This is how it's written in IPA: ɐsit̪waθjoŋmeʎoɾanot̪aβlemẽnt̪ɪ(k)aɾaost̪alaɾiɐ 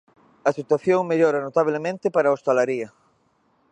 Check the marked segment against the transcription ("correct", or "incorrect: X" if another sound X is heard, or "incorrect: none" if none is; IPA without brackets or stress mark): incorrect: p